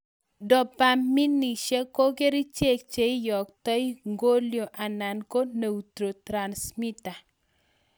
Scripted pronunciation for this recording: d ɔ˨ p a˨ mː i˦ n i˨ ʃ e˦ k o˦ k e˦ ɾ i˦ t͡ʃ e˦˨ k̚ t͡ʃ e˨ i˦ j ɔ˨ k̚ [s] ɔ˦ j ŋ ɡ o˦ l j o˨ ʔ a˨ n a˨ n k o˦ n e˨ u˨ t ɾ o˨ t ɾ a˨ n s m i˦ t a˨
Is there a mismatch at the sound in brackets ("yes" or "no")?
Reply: yes